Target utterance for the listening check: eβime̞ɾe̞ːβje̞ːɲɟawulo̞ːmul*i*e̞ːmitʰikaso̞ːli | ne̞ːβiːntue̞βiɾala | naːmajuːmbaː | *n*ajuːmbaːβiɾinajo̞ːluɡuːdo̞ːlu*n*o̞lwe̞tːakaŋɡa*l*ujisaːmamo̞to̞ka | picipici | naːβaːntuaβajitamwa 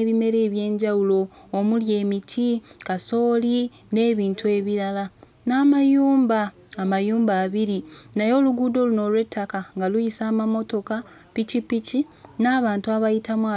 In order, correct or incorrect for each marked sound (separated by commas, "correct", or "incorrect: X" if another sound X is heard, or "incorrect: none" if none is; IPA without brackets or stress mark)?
incorrect: j, incorrect: m, correct, correct